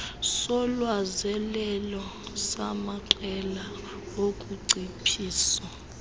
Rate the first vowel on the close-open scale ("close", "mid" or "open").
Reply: mid